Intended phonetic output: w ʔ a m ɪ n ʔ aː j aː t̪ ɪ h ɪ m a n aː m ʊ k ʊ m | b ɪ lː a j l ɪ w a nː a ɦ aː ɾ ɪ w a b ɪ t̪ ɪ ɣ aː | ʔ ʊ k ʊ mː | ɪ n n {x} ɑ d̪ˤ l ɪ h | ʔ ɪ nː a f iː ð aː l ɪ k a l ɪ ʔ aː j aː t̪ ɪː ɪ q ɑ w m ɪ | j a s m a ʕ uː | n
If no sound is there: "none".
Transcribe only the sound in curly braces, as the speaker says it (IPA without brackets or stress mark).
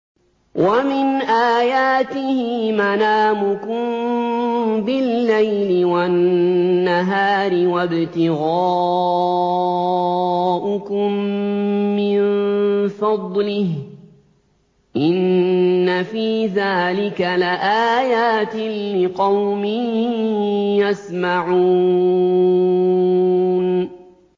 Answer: f